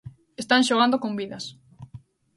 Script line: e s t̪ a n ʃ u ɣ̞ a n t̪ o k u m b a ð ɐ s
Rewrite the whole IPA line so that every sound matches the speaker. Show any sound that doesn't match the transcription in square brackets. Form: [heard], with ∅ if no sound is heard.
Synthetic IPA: e s t̪ a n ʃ [o] ɣ̞ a n [d̪] o k [o] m b [i] ð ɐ s